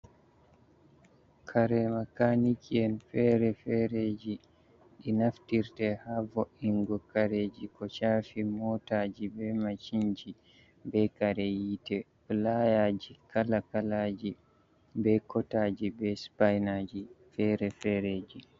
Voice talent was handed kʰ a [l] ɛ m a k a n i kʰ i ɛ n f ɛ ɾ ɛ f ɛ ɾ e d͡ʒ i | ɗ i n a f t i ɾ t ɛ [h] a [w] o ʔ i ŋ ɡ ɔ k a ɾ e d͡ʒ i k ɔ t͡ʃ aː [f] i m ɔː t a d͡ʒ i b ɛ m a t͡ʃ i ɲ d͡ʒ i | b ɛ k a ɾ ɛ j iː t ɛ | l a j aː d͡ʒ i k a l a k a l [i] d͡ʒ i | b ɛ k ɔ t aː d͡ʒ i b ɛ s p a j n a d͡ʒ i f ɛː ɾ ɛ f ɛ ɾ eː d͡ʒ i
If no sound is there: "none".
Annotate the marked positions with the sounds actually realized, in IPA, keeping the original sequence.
ɾ, h, v, f, a

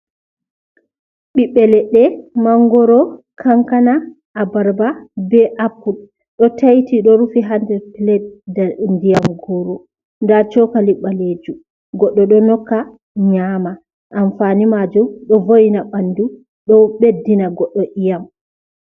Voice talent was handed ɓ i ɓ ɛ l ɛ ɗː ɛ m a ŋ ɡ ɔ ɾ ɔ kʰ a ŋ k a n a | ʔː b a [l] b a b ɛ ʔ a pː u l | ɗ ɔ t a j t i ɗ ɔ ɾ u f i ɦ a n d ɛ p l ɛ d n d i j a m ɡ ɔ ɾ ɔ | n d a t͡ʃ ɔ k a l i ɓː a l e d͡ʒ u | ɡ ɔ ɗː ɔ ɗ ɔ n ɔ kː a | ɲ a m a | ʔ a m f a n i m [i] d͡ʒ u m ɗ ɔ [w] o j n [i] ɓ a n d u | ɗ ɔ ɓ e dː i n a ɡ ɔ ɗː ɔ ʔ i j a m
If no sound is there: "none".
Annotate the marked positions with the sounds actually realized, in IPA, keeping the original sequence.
ɾ, a, v, a

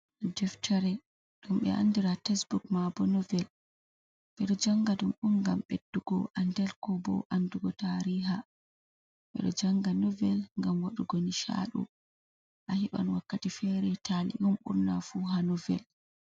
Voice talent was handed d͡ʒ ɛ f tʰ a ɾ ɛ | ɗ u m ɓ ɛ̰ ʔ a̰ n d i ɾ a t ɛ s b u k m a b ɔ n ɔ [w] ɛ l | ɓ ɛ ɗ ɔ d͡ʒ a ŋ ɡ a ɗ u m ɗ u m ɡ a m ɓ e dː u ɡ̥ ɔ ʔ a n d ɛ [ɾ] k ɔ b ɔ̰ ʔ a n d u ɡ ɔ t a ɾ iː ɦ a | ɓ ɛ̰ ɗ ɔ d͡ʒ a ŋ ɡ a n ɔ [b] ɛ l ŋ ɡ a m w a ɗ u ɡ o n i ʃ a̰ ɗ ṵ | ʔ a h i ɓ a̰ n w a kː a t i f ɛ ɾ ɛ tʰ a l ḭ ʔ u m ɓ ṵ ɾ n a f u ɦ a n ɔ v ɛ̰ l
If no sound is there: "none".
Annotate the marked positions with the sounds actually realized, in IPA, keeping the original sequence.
v, l, v

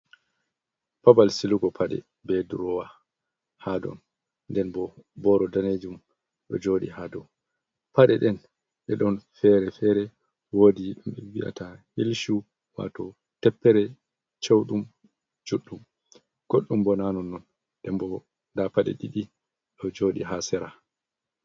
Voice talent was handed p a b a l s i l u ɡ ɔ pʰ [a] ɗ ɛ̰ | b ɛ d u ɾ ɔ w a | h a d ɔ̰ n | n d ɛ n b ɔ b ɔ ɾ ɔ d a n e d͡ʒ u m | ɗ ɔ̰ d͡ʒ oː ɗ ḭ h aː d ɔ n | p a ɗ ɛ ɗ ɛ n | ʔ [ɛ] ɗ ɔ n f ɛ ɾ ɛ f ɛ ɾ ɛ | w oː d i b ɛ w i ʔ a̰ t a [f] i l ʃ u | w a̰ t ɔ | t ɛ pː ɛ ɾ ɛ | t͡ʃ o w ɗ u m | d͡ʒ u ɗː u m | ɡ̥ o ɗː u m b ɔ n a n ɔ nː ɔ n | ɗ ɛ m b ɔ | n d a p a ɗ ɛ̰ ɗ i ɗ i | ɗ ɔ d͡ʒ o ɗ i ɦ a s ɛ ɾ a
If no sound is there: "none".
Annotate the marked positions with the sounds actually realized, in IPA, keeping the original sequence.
a, ɛ, h

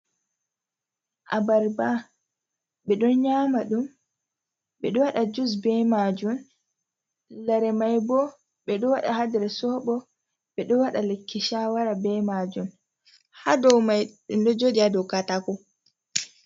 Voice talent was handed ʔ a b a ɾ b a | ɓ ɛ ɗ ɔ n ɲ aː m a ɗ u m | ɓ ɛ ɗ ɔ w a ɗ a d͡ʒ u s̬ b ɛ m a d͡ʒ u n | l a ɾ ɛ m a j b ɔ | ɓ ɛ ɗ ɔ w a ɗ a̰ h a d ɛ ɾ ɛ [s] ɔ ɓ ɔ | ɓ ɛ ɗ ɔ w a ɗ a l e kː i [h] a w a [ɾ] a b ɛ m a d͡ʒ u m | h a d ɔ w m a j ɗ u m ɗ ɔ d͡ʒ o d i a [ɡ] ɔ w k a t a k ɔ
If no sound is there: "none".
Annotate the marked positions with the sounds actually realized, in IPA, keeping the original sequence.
s, ʃ, ɾ, d

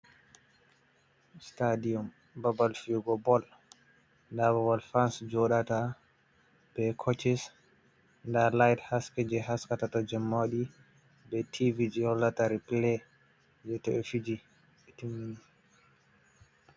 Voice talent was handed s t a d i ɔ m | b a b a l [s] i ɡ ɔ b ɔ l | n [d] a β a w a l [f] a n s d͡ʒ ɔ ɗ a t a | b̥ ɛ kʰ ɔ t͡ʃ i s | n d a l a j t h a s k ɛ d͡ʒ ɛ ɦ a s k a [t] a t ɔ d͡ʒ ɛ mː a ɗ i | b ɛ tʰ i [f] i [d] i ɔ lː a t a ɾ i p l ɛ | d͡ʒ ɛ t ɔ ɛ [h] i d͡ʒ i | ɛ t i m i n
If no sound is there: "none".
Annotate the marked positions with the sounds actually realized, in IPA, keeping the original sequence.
f, d, f, t, v, d͡ʒ, f

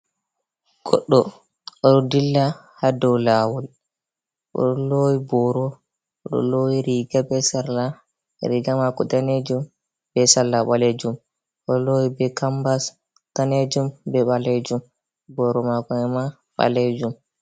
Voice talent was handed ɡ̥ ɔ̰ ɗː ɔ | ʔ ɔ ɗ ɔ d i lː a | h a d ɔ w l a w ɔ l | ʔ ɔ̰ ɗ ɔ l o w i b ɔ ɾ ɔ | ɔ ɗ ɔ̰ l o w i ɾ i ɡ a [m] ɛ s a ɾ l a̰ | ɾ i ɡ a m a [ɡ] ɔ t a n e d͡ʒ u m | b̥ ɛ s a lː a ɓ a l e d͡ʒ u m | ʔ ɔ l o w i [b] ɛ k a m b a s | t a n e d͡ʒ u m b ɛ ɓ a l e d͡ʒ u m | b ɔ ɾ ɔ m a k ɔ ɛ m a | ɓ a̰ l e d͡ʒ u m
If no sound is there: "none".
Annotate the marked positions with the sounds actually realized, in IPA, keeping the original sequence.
b, k, b

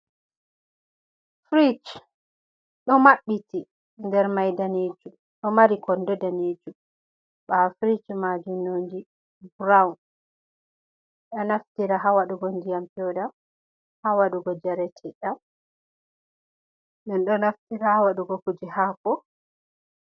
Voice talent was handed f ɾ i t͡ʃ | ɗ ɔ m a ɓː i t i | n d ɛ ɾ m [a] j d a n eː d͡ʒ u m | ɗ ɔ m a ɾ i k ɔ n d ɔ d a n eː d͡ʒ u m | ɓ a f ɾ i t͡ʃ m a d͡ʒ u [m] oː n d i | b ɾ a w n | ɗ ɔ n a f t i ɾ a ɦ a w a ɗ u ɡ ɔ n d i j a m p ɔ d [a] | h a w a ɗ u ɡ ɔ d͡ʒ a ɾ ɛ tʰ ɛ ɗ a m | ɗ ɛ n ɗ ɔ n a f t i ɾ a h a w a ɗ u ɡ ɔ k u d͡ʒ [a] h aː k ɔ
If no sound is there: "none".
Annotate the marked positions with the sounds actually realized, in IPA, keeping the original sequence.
a, n, a, i

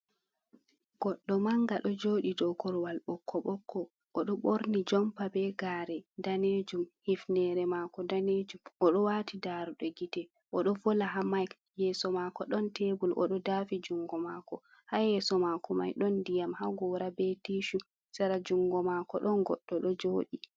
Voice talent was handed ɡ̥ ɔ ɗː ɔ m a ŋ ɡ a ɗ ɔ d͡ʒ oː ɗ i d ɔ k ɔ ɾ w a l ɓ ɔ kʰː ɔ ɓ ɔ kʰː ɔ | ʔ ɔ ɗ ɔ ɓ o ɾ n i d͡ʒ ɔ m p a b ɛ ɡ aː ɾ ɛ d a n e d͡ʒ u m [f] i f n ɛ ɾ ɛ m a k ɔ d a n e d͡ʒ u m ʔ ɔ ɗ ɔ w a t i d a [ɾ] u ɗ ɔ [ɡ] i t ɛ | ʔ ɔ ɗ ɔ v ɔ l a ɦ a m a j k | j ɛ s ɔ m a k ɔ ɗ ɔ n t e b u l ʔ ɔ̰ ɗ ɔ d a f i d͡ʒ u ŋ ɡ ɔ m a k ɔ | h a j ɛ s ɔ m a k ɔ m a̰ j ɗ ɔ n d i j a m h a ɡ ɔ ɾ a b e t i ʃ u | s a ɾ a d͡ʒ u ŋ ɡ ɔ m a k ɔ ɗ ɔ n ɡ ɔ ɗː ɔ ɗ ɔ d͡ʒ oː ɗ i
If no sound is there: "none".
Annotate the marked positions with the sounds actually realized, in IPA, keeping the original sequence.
h, ɾ, ɡ

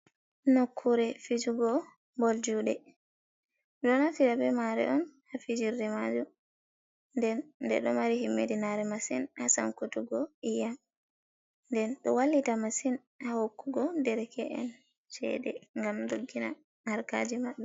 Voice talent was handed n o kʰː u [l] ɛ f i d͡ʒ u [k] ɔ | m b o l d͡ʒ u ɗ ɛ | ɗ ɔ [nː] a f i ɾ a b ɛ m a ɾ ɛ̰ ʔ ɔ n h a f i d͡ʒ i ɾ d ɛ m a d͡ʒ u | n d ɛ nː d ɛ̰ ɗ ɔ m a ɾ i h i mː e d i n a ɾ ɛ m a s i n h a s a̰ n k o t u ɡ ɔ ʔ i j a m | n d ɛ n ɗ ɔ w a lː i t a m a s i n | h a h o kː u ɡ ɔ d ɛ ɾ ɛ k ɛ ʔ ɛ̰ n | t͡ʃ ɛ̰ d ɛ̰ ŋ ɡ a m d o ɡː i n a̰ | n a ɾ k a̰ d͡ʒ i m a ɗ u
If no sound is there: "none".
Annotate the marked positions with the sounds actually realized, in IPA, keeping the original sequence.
ɾ, ɡ, n

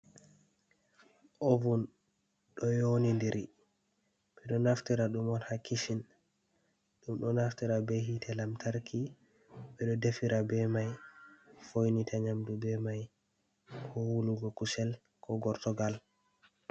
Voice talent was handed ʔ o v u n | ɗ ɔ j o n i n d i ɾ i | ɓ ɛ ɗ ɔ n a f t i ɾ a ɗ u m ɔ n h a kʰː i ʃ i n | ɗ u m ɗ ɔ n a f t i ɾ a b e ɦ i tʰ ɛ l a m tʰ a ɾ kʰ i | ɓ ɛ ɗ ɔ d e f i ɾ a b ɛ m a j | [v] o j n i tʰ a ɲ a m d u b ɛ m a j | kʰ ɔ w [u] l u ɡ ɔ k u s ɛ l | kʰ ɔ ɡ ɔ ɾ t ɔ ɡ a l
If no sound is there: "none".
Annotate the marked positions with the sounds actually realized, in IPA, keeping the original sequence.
f, u

